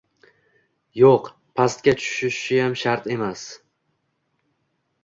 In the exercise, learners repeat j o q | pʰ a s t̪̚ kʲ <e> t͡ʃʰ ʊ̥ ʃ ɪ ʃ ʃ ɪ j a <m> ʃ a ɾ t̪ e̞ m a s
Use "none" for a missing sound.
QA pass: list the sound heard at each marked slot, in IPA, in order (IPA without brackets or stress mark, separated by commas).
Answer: a, m